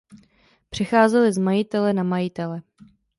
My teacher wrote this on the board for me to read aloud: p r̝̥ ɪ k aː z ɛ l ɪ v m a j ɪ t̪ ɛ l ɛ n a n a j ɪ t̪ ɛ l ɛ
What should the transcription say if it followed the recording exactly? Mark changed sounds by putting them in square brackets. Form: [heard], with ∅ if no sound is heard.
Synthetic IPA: p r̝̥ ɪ [x] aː z ɛ l ɪ [z] m a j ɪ t̪ ɛ l ɛ n a [m] a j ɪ t̪ ɛ l ɛ